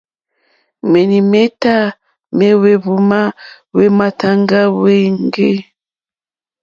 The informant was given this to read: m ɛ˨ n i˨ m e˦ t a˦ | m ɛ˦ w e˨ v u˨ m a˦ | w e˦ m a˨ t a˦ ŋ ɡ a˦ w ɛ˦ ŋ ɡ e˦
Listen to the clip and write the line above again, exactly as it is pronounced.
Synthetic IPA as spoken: m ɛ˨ n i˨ m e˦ t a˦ | m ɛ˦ w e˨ β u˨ m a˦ | w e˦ m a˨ t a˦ ŋ ɡ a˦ w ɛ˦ ŋ ɡ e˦